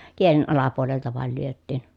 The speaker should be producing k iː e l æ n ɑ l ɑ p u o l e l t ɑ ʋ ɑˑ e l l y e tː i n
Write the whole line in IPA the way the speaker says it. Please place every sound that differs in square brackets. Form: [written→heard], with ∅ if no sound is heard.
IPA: k [iː→i] e l [æ→e] n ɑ l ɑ p u o l e l t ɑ ʋ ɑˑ e l l y [e→ø] tː [i→iː] n